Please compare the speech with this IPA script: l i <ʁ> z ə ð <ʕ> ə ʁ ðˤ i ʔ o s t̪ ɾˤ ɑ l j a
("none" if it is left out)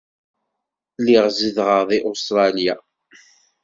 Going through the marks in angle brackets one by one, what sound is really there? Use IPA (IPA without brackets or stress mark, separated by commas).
ʁ, ʁ